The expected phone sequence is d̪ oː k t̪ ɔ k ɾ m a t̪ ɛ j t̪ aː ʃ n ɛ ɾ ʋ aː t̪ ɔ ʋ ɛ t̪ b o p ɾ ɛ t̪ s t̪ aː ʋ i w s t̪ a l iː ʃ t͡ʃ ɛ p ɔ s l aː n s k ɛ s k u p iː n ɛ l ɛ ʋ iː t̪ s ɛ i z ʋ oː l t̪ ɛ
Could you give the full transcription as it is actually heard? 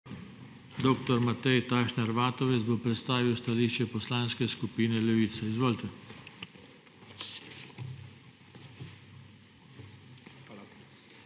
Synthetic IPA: d̪ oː k t̪ ɔ ɾ m a t̪ ɛ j t̪ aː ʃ n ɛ ɾ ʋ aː t̪ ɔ ʋ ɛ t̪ b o p ɾ ɛ t̪ s t̪ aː ʋ i w s t̪ a l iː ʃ t͡ʃ ɛ p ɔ s l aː n s k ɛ s k u p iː n ɛ l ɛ ʋ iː t̪ s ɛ i z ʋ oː l t̪ ɛ